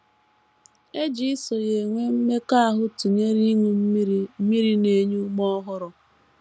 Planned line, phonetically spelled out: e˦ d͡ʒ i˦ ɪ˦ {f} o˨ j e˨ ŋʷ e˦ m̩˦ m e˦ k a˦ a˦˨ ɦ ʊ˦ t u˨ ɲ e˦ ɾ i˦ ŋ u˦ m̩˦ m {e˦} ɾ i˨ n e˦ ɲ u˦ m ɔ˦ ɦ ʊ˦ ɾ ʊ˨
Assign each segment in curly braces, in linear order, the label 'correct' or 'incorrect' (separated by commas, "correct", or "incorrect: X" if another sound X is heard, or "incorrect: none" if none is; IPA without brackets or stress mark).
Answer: incorrect: s, incorrect: i˦